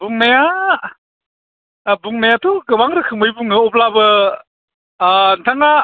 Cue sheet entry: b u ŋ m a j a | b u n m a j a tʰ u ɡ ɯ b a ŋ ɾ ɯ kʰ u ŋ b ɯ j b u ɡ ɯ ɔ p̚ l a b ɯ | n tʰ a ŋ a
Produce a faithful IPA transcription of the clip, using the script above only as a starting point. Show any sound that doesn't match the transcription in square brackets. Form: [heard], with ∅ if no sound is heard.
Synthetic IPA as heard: b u ŋ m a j a | b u [ŋ] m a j a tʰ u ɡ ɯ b a ŋ ɾ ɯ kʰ [ɯ] ŋ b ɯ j b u [ŋ] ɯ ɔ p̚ l a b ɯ | n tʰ a ŋ a